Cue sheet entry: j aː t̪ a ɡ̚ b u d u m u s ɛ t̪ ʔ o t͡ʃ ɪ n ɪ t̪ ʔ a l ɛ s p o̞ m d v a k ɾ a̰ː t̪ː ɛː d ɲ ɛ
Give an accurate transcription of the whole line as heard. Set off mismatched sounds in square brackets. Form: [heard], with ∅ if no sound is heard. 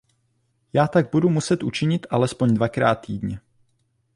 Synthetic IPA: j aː t̪ a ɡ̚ b u d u m u s ɛ t̪ ʔ [u] t͡ʃ ɪ [ɲ] ɪ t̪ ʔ a l ɛ s p o̞ [ɲ] d v a k ɾ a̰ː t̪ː [iː] d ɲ ɛ